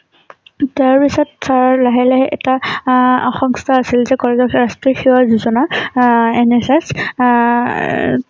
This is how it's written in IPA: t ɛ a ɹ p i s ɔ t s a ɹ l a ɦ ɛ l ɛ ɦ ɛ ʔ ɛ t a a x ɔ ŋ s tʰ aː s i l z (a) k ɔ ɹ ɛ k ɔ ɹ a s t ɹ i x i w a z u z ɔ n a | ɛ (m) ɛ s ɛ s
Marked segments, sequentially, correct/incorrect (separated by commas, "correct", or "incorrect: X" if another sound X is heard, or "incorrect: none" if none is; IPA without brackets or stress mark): incorrect: ɛ, incorrect: n